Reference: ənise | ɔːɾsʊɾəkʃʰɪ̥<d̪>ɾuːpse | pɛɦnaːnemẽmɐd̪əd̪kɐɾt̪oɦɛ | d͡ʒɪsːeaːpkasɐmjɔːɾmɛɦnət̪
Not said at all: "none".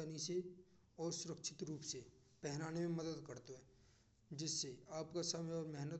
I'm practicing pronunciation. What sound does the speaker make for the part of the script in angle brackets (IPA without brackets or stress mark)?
t̪